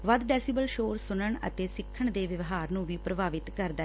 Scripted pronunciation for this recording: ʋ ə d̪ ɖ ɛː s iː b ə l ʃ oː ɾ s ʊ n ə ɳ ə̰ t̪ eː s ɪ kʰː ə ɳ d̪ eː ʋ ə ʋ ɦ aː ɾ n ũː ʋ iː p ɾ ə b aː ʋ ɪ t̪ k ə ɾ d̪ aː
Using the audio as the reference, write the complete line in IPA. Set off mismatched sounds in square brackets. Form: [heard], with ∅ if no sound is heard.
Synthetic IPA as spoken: ʋ ə d̪ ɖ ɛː s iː b ə l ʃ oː ɾ s ʊ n ə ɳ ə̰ t̪ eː s ɪ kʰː ə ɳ d̪ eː ʋ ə ʋ ɦ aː ɾ n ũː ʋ iː p ɾ ə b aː ʋ ɪ t̪ k ə ɾ d̪ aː